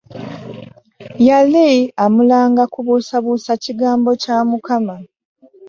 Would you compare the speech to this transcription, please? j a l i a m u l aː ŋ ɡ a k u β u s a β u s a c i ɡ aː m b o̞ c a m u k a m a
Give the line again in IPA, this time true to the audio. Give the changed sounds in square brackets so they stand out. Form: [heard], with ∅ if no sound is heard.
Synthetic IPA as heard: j a l i a m u l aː ŋ ɡ a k u β u s a β u s a c i ɡ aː m b o̞ c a m u k a m a